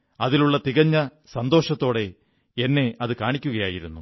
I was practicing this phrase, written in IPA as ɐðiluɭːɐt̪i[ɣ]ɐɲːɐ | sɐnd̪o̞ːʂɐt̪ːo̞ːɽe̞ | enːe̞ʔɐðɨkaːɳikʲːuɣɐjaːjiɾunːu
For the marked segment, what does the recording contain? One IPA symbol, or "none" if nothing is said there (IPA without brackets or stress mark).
ɣ